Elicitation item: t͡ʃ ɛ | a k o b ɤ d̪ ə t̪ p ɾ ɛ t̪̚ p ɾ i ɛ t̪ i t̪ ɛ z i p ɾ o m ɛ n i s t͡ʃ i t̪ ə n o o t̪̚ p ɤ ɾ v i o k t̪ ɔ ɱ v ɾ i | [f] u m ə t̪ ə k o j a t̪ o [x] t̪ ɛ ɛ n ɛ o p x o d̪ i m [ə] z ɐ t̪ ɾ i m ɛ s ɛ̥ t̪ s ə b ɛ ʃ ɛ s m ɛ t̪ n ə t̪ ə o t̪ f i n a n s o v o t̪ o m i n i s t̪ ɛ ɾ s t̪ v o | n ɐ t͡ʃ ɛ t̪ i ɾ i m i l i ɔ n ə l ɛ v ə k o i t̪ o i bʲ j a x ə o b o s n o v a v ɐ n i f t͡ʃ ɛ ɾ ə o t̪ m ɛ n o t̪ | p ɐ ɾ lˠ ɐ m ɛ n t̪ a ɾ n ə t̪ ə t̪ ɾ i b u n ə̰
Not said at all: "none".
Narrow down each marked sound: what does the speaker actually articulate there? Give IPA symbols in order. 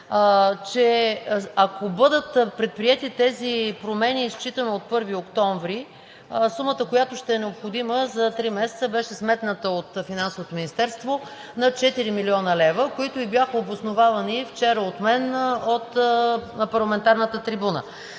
s, ʃ, ə

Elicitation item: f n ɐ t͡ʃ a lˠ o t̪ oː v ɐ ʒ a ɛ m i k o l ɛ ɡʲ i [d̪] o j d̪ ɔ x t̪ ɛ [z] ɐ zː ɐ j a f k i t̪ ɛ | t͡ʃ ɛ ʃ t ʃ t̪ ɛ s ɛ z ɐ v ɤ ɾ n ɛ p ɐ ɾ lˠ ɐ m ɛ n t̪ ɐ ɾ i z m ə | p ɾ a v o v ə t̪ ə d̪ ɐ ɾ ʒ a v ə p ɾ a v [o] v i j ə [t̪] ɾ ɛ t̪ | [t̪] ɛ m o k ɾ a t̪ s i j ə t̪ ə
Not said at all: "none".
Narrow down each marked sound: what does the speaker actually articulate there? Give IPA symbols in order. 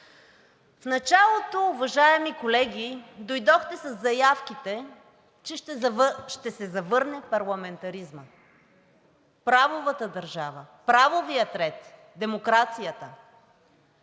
d̪, s, o, t̪, d̪

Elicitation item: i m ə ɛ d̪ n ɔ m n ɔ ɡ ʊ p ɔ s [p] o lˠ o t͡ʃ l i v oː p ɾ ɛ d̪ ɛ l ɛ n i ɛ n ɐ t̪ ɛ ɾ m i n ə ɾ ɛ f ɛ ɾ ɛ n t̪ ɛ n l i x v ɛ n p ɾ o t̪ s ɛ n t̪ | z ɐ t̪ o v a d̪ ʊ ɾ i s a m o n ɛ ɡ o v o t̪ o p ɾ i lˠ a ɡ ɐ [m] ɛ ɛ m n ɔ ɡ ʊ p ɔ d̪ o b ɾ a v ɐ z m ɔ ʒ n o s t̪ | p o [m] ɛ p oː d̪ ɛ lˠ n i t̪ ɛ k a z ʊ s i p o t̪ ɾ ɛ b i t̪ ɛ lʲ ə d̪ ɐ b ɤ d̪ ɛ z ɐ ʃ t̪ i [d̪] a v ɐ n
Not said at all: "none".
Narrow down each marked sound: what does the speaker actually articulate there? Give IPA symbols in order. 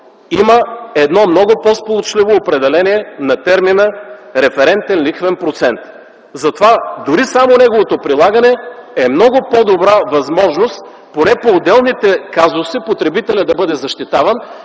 p, n, n, t̪

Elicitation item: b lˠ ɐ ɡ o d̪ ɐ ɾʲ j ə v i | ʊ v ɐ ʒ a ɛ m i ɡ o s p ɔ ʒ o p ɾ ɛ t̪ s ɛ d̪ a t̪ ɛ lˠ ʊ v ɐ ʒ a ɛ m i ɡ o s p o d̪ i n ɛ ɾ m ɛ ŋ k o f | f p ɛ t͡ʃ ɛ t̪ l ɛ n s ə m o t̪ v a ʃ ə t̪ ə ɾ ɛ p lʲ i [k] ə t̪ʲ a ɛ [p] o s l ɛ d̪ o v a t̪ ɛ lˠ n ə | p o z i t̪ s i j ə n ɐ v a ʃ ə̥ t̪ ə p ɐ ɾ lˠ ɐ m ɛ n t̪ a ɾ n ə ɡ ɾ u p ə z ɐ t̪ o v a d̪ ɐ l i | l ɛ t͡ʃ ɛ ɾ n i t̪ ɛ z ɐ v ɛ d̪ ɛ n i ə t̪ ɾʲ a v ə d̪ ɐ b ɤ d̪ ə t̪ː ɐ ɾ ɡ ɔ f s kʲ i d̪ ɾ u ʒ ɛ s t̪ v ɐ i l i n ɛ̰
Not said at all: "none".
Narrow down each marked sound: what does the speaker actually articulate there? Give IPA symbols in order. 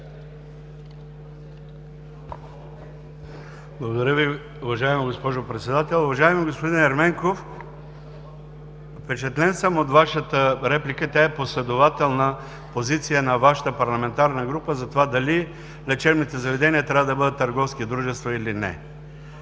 k, p

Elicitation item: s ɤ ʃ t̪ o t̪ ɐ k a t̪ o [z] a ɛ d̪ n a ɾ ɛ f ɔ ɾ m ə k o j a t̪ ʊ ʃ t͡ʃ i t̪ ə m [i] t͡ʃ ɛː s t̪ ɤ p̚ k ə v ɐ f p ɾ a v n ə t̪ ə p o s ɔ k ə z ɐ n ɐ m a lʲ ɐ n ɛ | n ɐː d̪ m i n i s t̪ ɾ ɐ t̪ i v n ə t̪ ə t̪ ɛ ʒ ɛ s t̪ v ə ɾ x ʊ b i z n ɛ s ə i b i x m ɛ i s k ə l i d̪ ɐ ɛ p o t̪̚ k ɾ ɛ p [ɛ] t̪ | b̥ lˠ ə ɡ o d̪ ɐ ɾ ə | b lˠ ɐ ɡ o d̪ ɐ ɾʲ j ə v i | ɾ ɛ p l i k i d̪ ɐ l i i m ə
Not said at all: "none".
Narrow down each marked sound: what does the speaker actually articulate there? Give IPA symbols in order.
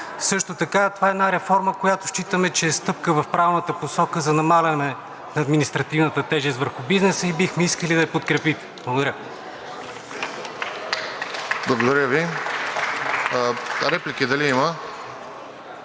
v, ɛ, i

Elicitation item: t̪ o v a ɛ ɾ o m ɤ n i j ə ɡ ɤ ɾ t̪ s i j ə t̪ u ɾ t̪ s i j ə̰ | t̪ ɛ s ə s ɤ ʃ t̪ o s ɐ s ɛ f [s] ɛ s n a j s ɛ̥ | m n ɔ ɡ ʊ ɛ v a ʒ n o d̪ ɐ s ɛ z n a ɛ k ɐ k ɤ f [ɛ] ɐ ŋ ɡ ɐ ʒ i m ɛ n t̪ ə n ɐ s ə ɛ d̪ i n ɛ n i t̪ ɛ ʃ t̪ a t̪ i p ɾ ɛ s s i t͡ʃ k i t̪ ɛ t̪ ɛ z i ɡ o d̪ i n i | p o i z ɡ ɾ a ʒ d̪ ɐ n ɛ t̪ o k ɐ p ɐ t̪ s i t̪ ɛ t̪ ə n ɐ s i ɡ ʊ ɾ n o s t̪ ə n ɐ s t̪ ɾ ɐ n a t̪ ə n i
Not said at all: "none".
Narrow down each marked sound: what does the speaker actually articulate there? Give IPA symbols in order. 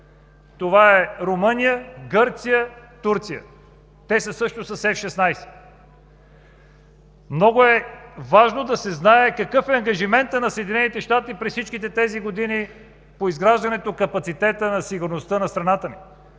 ʃ, ɛ

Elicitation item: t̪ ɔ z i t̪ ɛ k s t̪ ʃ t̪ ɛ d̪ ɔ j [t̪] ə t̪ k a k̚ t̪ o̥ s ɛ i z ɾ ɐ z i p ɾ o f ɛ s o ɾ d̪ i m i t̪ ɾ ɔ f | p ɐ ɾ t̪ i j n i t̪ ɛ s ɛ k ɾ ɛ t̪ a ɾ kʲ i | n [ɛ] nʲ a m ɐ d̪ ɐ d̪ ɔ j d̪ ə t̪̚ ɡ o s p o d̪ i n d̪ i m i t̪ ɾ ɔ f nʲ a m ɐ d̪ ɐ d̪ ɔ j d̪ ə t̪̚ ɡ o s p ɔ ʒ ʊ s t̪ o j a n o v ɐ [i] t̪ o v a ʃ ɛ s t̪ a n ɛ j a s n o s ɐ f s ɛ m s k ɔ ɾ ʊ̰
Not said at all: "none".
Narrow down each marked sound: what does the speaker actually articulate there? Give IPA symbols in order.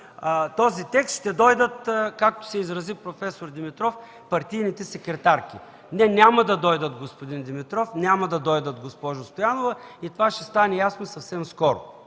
d̪, ɛ, i

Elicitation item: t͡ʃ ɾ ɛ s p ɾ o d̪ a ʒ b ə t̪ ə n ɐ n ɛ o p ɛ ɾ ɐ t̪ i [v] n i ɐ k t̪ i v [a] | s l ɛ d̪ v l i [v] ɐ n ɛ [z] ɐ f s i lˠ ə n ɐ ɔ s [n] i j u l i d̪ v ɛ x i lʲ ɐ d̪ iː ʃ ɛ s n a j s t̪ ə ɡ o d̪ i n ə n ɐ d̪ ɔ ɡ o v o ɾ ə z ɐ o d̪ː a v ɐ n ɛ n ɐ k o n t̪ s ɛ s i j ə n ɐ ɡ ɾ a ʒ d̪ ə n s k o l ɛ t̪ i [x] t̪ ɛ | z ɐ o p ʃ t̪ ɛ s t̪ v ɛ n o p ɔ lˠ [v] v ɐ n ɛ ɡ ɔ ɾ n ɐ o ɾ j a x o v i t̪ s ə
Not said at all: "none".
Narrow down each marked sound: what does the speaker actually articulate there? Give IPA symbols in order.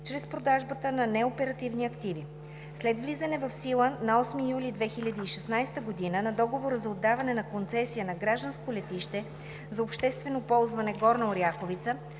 v, i, z, v, m, ʃ, z

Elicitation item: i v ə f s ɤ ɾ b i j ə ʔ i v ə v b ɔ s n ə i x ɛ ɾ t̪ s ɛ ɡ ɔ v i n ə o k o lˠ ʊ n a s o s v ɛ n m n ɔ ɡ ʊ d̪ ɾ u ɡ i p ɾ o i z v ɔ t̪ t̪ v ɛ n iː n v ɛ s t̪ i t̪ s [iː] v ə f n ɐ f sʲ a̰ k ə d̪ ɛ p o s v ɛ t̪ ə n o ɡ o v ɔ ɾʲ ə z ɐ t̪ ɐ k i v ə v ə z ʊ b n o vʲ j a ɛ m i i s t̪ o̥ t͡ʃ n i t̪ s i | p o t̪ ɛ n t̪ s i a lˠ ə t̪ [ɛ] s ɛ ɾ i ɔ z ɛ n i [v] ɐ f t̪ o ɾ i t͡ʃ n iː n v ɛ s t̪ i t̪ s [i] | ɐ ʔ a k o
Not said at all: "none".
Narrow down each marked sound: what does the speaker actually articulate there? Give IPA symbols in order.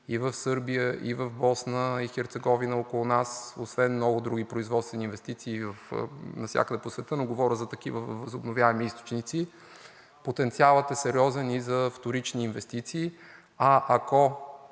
iː, ɛ, z, iː

